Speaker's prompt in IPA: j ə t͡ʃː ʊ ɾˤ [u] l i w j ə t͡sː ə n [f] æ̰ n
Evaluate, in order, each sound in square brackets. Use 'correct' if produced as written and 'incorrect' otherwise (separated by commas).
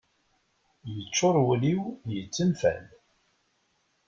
incorrect, correct